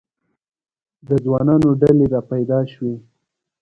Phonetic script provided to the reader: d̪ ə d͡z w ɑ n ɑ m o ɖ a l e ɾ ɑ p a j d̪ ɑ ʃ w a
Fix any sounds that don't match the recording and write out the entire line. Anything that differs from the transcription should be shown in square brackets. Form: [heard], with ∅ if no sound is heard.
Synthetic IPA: d̪ ə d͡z w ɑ n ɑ [n] o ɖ a l e ɾ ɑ p a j d̪ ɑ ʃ w [e]